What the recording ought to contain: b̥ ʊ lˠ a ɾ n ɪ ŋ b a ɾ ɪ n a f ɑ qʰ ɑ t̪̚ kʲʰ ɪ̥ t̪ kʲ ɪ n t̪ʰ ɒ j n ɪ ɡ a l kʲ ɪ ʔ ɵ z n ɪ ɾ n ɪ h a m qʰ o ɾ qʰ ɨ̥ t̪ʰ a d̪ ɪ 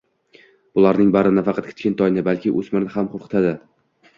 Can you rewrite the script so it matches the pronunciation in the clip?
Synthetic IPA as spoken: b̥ ʊ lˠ a ɾ n ɪ ŋ b a ɾ ɪ n a f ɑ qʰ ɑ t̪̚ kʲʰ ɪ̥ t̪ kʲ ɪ n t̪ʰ ɒ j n ɪ b a l kʲ ɪ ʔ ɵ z m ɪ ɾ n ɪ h a m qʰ o ɾ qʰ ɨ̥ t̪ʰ a d̪ ɪ